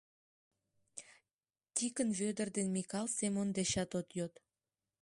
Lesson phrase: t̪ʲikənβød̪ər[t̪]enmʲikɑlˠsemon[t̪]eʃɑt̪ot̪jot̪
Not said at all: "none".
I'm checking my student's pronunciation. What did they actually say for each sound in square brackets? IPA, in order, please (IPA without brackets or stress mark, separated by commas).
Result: d̪, d̪